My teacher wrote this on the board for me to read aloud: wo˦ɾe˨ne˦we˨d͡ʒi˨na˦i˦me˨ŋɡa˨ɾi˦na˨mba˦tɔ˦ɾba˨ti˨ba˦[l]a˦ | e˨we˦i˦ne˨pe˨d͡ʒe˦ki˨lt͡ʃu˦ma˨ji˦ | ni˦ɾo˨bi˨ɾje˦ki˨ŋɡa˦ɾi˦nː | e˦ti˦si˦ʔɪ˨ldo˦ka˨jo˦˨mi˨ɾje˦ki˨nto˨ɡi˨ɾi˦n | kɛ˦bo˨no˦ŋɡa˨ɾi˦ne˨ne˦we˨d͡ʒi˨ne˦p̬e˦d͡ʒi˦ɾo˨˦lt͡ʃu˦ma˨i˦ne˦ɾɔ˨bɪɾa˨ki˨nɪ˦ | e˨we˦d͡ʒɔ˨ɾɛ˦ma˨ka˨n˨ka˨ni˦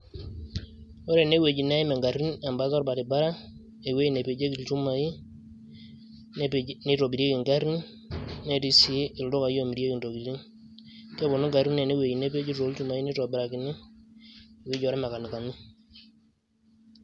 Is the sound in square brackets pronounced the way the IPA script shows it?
no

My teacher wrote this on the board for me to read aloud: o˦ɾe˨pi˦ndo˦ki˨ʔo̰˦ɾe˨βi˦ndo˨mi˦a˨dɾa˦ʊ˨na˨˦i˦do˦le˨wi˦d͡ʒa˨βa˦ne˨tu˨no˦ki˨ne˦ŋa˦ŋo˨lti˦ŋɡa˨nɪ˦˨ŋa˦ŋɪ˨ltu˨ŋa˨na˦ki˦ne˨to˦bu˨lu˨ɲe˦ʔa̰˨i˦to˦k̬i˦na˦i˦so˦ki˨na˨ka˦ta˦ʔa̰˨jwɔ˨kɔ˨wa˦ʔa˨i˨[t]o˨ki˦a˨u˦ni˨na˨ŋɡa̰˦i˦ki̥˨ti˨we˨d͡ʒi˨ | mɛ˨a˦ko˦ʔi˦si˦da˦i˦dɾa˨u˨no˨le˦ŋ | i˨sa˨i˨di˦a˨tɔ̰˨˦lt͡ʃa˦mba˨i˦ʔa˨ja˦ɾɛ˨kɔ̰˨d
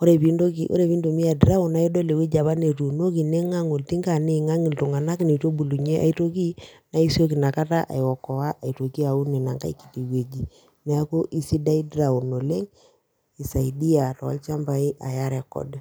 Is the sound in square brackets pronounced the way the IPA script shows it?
yes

